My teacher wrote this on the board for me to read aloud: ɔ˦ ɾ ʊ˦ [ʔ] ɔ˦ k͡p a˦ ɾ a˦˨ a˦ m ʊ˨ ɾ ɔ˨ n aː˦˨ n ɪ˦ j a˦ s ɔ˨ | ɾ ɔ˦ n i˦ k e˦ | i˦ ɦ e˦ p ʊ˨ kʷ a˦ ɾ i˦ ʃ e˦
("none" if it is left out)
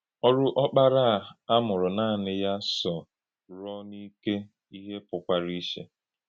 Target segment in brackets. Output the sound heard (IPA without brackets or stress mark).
ʔ